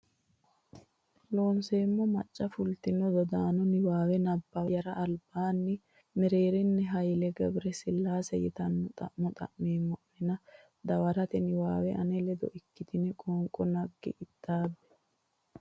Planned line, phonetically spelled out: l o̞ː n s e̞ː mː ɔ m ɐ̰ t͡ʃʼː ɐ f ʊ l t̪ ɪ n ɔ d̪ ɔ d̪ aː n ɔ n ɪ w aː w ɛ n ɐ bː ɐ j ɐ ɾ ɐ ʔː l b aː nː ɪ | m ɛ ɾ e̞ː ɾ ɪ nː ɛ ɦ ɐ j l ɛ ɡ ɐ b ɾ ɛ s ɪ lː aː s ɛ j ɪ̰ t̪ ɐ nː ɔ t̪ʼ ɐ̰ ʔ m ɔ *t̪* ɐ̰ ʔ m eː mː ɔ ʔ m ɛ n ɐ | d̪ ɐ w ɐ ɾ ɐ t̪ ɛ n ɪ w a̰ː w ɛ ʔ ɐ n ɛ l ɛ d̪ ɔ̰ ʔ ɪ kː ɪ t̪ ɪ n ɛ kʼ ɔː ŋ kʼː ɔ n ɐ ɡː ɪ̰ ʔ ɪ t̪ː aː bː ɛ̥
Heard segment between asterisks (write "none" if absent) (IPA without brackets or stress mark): t̪ʼ